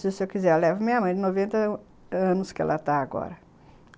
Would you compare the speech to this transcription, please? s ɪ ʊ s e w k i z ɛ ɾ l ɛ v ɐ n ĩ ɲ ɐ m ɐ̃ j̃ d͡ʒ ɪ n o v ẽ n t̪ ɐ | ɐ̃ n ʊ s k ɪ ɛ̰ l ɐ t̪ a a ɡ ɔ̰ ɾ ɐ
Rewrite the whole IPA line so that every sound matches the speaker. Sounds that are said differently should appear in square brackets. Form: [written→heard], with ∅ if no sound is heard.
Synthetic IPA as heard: s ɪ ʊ s e w k i z ɛ ɾ l ɛ v ɐ [n→m] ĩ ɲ ɐ m ɐ̃ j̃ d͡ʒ ɪ n o v ẽ n t̪ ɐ | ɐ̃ n ʊ s k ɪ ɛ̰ l ɐ t̪ a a ɡ ɔ̰ ɾ ɐ

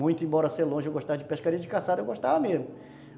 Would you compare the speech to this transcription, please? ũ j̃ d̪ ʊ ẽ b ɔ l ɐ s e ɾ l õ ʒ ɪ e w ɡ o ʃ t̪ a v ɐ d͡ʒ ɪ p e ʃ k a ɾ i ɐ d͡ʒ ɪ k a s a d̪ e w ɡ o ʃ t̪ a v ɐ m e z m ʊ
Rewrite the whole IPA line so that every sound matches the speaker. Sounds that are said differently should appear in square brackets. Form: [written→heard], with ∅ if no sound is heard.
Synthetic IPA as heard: ũ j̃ [d̪→t̪] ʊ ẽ b ɔ [l→ɾ] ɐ s e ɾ l õ ʒ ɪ e w ɡ o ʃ t̪ a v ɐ d͡ʒ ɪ p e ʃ k a ɾ i ɐ d͡ʒ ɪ k a s a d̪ e w ɡ o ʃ t̪ a v ɐ m e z m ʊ

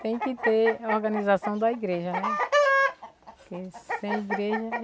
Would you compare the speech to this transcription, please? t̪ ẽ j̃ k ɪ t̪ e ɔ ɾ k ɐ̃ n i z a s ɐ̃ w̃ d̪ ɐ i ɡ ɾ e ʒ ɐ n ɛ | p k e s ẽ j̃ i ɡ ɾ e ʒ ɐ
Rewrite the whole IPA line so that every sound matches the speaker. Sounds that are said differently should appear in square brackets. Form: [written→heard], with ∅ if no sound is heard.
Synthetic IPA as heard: t̪ ẽ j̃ k ɪ t̪ e ɔ ɾ [k→ɡ] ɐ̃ n i z a s ɐ̃ w̃ d̪ ɐ i ɡ ɾ e ʒ ɐ n ɛ | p k e s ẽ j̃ i ɡ ɾ e ʒ ɐ

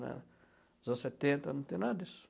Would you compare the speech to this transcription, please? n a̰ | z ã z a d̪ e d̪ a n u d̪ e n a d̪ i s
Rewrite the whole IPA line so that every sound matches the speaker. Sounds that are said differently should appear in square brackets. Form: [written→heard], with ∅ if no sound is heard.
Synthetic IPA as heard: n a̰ | z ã [z→s] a [d̪→t̪] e [d̪→t̪] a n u [d̪→t̪] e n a d̪ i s

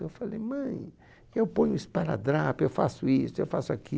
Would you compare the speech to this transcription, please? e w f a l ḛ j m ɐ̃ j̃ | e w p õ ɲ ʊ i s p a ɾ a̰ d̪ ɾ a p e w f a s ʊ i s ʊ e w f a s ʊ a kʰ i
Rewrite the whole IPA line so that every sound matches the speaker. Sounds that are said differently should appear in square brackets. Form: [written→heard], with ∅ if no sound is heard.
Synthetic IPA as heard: e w f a l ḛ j m ɐ̃ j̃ | e w p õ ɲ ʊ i s p a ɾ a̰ d̪ ɾ a p e w f a s ʊ i s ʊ e w f a s ʊ a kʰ i

